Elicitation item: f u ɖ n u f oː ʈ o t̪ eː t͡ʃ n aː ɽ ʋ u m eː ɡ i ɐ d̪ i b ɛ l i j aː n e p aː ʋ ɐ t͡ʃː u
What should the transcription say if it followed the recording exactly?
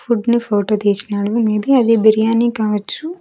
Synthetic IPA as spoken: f u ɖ n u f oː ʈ o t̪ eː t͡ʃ n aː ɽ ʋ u m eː b i ɐ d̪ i b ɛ ɾ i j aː n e k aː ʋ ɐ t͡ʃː u

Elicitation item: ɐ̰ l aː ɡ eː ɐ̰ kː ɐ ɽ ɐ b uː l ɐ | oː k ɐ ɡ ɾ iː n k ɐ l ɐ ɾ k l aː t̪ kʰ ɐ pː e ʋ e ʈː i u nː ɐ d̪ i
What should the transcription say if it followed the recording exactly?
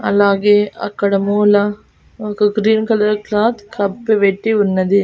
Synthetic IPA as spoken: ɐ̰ l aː ɡ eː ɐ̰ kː ɐ ɽ ɐ m uː l ɐ | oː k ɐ ɡ ɾ iː n k ɐ l ɐ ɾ k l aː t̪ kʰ ɐ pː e ʋ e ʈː i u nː ɐ d̪ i

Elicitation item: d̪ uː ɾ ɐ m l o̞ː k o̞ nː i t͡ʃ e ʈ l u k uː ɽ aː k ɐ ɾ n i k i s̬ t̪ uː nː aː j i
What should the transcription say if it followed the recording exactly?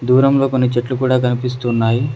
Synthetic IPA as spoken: d̪ uː ɾ ɐ m l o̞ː k o̞ nː i t͡ʃ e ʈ l u k uː ɽ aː k ɐ n i p i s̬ t̪ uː nː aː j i

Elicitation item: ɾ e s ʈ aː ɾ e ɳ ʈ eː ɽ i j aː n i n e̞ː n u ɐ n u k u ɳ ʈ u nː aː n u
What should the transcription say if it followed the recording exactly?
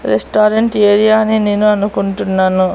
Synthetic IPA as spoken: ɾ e s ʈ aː ɾ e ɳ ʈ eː ɾ i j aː n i n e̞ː n u ɐ n u k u ɳ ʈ u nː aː n u

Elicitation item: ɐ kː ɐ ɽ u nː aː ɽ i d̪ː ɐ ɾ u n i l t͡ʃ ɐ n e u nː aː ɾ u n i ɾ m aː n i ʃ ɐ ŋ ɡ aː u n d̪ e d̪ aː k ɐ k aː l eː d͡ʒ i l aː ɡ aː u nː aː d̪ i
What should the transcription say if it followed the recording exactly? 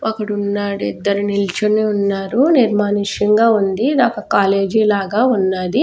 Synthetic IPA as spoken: ɐ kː ɐ ɽ u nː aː ɽ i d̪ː ɐ ɾ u n i l t͡ʃ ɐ n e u nː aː ɾ u n i ɾ m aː n i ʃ ɐ ŋ ɡ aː u n d̪ i d̪ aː k ɐ k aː l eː d͡ʒ i l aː ɡ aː u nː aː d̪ i

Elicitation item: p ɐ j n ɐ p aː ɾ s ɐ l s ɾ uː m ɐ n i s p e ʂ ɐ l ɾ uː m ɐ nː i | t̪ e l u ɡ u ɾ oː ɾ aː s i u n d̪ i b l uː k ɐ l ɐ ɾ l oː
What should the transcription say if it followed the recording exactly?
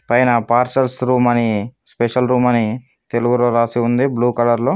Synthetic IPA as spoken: p ɐ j n ɐ p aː ɾ s ɐ l s ɾ uː m ɐ n i s p e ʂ ɐ l ɾ uː m ɐ n i | t̪ e l u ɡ u ɾ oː ɾ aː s i u n d̪ i b l uː k ɐ l ɐ ɾ l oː

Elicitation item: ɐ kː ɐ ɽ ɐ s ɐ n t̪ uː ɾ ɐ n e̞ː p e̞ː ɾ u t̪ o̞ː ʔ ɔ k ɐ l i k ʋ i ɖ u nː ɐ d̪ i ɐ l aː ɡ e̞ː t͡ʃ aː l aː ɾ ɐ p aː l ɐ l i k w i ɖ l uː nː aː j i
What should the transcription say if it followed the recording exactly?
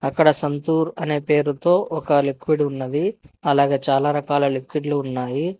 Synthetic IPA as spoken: ɐ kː ɐ ɽ ɐ s ɐ n t̪ uː ɾ ɐ n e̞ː p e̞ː ɾ u t̪ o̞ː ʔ ɔ k ɐ l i k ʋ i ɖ u nː ɐ d̪ i ɐ l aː ɡ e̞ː t͡ʃ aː l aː ɾ ɐ k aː l ɐ l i k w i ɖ l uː nː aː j i

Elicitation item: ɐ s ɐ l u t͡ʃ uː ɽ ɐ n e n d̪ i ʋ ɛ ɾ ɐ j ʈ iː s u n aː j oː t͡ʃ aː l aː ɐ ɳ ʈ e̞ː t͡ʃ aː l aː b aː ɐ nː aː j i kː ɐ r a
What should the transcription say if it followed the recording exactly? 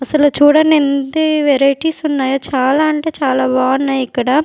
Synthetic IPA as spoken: ɐ s ɐ l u t͡ʃ uː ɽ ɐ n e n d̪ i ʋ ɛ ɾ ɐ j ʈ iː s u nː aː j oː t͡ʃ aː l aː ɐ ɳ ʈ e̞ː t͡ʃ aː l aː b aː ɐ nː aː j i kː ɐ ɽ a

